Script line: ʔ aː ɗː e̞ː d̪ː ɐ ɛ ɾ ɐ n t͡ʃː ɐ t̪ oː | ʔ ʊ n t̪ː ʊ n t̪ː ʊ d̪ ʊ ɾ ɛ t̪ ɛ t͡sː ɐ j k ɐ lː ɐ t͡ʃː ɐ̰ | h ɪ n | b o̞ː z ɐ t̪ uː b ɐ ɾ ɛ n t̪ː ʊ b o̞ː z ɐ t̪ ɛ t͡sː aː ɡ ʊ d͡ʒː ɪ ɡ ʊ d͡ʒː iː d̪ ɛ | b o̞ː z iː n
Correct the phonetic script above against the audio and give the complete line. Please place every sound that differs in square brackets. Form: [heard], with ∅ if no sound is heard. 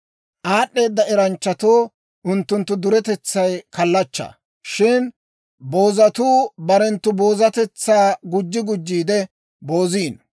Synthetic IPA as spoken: ʔ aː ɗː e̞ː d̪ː ɐ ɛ ɾ ɐ n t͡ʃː ɐ t̪ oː | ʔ ʊ n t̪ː ʊ n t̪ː ʊ d̪ ʊ ɾ ɛ t̪ ɛ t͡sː ɐ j k ɐ lː ɐ t͡ʃː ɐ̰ | [ʃ] ɪ n | b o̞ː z ɐ t̪ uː b ɐ ɾ ɛ n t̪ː ʊ b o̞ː z ɐ t̪ ɛ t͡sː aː ɡ ʊ d͡ʒː ɪ ɡ ʊ d͡ʒː iː d̪ ɛ | b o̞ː z iː n